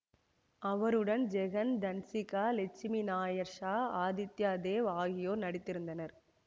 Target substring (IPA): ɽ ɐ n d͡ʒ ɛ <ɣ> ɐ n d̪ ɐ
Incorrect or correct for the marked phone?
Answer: correct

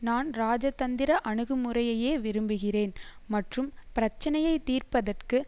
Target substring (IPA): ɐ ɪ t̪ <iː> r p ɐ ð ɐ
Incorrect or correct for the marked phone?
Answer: correct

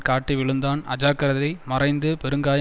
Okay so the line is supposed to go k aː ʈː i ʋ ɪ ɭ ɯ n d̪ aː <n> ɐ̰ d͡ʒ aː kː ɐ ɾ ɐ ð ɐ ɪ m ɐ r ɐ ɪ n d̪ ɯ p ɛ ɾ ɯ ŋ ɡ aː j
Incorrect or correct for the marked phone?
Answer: correct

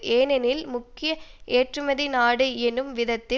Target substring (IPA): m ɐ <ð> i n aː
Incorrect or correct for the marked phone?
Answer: correct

